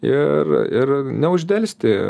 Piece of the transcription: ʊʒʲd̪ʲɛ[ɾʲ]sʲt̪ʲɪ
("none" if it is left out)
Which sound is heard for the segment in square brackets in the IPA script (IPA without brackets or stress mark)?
lʲ